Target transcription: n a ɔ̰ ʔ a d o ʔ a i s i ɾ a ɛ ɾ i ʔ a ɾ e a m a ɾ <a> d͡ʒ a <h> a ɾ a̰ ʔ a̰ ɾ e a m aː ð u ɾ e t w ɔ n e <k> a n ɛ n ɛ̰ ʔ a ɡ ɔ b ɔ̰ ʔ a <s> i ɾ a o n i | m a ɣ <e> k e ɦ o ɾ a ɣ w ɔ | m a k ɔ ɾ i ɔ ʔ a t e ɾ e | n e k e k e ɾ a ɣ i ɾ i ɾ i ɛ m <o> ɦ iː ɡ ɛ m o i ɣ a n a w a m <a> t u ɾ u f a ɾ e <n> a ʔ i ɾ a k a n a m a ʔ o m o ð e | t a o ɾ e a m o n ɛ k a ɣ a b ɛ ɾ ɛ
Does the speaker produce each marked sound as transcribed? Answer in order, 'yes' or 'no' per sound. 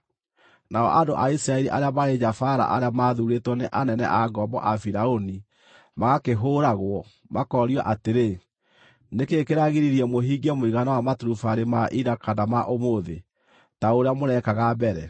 no, no, no, no, no, yes, yes, no

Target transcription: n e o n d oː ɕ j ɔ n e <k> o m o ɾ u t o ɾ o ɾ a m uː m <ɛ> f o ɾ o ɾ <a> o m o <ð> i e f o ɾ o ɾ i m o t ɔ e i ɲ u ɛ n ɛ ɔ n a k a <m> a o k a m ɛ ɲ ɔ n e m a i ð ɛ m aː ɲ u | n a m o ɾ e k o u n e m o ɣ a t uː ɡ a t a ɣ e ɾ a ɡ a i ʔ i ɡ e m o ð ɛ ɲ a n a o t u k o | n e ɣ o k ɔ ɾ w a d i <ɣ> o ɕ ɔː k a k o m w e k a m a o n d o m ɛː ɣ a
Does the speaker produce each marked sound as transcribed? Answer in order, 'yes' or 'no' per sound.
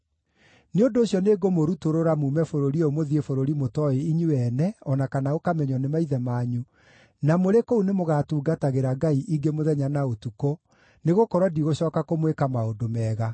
no, yes, no, yes, no, yes

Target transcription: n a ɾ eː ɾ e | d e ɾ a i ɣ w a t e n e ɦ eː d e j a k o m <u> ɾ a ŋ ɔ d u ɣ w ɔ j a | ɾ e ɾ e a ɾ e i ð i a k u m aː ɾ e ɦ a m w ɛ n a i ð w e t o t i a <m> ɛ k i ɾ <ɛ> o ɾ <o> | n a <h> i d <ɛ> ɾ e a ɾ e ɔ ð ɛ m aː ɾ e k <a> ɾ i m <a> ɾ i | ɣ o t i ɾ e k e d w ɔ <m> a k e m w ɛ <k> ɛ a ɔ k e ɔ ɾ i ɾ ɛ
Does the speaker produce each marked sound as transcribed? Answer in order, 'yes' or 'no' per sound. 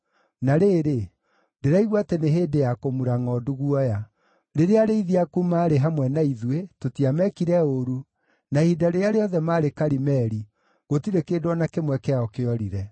yes, yes, yes, no, yes, no, yes, no, no, yes

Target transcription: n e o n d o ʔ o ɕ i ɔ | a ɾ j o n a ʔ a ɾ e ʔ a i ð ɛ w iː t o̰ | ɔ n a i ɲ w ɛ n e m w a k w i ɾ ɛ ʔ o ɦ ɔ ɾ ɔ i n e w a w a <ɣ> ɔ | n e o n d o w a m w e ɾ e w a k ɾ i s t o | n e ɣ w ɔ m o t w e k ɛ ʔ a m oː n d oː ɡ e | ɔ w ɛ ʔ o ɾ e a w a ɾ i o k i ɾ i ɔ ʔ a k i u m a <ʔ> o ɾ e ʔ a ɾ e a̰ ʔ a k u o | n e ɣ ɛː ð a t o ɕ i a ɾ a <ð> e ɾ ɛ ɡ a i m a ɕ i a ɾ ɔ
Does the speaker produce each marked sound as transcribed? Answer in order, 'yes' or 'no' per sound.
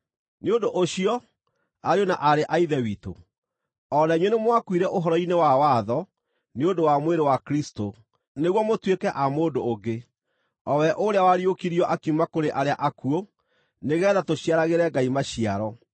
no, no, no

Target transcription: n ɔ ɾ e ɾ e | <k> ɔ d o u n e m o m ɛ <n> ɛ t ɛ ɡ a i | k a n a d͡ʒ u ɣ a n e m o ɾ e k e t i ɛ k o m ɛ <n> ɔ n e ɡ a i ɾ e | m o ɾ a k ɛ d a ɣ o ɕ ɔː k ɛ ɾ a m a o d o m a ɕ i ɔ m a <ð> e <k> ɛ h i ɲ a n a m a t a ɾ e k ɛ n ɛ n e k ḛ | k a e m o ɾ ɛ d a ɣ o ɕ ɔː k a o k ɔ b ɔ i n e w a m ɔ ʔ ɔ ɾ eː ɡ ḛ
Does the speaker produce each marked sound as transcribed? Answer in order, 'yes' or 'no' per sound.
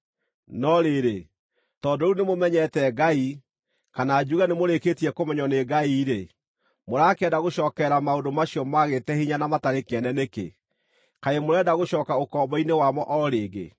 no, no, no, no, no

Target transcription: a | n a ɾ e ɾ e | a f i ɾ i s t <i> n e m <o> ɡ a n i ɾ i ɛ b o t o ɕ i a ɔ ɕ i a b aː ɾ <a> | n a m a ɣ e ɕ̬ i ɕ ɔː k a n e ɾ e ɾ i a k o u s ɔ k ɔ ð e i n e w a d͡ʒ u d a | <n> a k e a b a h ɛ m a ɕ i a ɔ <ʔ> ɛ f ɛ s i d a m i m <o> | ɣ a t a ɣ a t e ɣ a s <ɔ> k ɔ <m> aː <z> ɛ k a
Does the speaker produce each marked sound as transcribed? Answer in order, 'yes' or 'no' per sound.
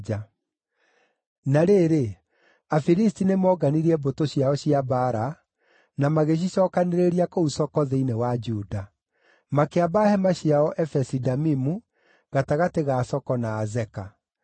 yes, no, yes, no, yes, no, yes, no, yes

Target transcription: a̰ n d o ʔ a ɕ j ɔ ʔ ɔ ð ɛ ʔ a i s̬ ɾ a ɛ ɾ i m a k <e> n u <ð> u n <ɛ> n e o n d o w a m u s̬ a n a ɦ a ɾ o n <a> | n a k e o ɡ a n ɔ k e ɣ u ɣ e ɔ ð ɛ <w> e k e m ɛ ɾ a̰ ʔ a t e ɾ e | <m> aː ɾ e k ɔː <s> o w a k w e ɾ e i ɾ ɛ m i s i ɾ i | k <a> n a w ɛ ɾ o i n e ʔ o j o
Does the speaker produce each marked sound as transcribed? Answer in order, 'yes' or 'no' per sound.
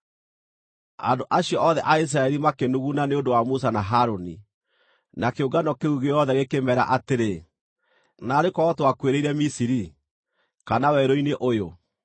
yes, no, no, no, no, no, no, yes

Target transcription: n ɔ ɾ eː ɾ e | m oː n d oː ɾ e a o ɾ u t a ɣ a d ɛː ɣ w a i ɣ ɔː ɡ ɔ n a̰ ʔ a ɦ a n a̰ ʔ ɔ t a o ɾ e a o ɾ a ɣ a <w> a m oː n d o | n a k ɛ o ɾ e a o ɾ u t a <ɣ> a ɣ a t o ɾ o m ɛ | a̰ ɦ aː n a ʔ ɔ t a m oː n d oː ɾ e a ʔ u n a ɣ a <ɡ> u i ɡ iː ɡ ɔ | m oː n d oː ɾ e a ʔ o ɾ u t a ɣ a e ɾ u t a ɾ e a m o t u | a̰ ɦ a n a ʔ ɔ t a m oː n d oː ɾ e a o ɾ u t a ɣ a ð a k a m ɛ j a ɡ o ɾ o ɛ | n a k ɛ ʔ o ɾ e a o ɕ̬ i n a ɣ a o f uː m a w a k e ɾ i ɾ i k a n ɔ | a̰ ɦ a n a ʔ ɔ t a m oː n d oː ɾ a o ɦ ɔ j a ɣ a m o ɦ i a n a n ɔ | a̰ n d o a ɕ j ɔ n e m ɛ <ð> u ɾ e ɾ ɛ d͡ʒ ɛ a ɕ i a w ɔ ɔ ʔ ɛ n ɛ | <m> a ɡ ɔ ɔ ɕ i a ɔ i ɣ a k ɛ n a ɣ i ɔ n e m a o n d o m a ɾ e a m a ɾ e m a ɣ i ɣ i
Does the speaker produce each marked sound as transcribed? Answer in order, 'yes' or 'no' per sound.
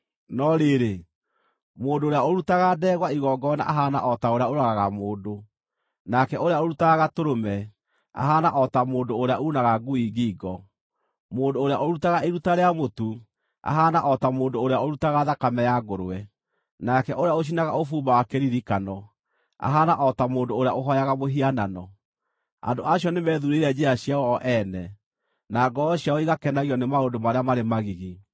no, yes, yes, yes, no

